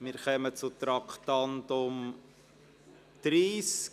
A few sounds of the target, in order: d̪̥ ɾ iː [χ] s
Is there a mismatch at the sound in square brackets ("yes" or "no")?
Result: yes